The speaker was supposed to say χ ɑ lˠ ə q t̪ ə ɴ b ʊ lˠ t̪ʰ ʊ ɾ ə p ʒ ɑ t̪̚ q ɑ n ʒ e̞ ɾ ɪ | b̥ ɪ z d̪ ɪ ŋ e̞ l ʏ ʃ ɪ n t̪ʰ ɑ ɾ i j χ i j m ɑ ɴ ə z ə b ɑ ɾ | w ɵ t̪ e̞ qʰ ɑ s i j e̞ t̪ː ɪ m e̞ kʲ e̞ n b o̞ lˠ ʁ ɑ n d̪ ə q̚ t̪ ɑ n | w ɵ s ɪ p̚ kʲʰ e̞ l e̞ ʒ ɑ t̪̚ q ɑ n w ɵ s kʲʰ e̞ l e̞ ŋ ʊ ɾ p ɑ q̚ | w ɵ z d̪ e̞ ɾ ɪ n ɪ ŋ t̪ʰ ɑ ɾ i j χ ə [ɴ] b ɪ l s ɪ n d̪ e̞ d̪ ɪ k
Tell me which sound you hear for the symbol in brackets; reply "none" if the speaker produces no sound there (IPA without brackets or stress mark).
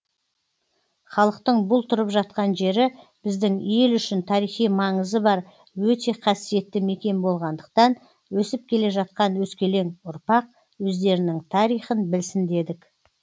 n